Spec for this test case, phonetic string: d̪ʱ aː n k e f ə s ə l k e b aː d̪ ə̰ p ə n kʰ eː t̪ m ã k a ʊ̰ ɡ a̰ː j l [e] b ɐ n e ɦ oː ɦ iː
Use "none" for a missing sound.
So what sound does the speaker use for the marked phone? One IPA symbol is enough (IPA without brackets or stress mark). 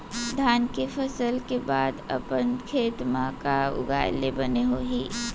e